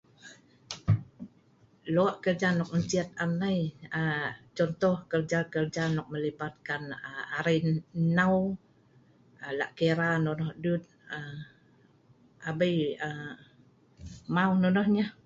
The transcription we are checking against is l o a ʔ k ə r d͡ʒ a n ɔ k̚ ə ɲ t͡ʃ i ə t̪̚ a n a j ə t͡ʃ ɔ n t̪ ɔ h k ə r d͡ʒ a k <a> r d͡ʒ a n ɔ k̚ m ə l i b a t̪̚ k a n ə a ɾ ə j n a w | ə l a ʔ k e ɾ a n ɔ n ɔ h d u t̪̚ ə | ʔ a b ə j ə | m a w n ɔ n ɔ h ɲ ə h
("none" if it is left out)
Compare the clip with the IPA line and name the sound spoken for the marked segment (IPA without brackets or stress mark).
ə